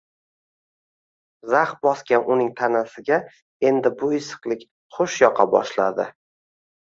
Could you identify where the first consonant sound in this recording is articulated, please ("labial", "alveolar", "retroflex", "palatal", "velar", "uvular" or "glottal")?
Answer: alveolar